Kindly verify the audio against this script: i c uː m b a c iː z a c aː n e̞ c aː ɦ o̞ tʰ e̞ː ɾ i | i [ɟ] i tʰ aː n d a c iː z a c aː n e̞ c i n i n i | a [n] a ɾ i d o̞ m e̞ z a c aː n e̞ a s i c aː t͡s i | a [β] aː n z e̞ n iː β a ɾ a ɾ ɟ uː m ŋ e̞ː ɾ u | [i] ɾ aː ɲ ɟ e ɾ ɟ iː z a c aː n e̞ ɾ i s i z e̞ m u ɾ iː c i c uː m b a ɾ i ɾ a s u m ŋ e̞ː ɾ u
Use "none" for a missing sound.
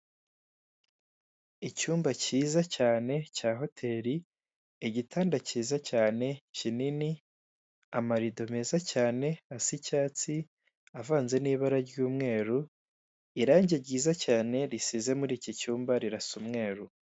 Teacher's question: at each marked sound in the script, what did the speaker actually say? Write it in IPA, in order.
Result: ɟ, m, v, i

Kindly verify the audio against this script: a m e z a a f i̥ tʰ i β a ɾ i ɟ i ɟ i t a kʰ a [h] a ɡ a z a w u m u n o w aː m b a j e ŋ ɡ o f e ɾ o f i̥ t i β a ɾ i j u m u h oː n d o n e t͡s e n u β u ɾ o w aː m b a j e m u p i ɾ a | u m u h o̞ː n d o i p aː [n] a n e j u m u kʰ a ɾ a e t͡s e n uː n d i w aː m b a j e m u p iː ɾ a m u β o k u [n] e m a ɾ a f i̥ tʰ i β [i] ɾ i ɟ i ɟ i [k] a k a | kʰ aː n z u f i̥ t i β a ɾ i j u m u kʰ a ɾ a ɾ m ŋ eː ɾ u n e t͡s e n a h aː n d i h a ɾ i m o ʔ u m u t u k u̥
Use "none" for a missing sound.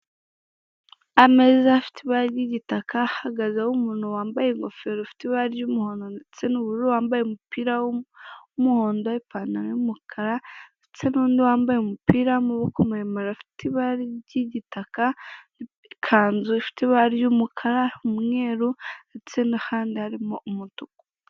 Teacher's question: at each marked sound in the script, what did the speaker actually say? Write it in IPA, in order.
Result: h, n, m, a, t

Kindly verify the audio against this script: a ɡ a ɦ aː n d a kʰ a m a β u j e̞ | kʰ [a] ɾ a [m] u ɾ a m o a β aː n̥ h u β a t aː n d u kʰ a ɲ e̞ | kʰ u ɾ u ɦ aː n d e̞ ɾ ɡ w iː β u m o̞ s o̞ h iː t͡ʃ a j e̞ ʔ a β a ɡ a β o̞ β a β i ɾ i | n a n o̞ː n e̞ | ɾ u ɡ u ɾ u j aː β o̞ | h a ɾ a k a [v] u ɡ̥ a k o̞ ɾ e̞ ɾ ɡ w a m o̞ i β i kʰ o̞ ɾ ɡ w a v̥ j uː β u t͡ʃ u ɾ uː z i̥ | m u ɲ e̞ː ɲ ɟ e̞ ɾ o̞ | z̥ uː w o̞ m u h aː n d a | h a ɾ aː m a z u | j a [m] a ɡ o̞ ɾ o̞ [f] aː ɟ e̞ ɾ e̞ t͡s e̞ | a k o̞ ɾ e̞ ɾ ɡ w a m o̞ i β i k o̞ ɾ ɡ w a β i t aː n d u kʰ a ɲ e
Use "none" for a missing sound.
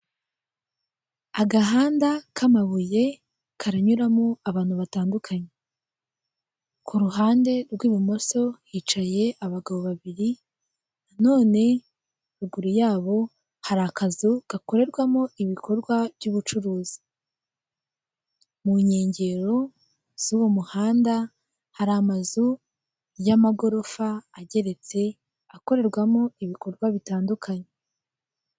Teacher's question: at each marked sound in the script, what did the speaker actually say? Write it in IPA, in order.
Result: a, ɲ, z, m, f

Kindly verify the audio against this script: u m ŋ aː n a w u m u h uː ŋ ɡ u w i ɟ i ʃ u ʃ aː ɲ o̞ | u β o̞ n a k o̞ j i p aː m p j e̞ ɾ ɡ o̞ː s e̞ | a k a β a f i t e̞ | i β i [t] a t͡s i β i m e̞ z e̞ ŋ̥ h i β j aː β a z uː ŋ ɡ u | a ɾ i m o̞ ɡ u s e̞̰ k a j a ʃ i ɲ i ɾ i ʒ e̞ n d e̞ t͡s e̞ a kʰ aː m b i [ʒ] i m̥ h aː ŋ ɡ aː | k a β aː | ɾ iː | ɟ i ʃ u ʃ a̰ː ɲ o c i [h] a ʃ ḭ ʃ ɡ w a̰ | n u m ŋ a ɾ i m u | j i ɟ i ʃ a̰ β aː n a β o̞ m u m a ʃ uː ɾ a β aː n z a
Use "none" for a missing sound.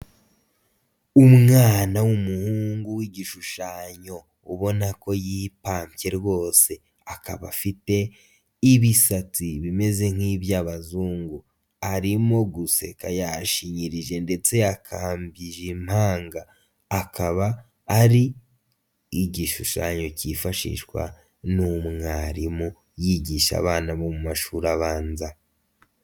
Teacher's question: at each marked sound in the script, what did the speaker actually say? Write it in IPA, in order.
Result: s, ʒ, f

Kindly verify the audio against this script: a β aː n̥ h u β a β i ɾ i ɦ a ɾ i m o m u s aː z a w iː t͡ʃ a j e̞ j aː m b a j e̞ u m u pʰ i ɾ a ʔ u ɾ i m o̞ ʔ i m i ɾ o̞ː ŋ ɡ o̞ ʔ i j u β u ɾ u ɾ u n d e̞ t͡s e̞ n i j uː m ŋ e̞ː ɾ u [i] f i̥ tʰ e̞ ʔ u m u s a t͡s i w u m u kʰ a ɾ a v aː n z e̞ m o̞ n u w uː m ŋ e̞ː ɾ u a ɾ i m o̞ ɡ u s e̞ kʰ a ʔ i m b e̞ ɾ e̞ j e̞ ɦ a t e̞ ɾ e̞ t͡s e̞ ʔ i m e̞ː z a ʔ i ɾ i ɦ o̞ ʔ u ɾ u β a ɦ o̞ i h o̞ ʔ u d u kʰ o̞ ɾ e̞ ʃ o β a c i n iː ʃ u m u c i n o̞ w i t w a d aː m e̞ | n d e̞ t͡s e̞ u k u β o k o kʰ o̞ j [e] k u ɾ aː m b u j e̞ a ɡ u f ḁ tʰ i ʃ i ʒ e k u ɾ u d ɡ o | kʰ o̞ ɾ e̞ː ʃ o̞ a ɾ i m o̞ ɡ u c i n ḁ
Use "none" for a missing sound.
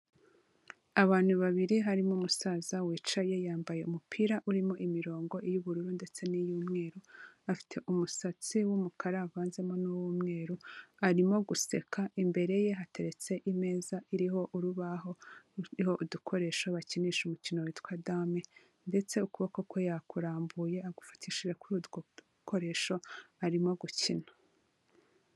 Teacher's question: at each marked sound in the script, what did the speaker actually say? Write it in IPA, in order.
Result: a, a

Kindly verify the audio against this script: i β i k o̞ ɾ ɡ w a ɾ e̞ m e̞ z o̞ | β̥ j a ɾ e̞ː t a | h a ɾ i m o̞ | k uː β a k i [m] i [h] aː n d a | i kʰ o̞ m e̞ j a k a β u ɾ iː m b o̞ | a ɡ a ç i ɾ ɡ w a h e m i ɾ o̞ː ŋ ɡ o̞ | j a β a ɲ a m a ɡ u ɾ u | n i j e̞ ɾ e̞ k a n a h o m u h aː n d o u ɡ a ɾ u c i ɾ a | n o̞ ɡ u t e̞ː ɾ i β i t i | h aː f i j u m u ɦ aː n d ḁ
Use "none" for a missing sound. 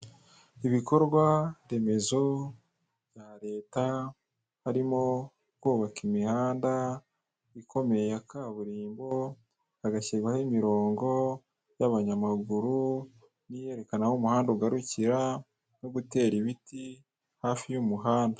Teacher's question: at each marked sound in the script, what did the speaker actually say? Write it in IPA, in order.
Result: m, h

